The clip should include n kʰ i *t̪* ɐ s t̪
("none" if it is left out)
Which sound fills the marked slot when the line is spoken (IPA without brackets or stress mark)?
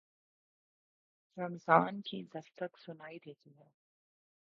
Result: d̪